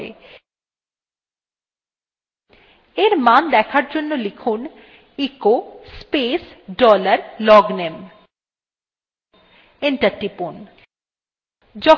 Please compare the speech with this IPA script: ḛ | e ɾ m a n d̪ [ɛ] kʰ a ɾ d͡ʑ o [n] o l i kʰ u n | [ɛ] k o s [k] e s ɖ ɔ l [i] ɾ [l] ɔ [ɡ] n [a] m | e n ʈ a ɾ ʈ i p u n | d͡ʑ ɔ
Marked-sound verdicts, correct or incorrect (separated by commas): correct, incorrect, incorrect, incorrect, incorrect, correct, correct, incorrect